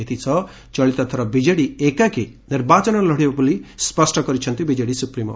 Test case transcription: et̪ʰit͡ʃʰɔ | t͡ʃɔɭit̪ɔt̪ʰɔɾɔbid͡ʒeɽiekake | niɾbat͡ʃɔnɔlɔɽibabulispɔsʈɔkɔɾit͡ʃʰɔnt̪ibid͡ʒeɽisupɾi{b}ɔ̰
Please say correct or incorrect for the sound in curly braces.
incorrect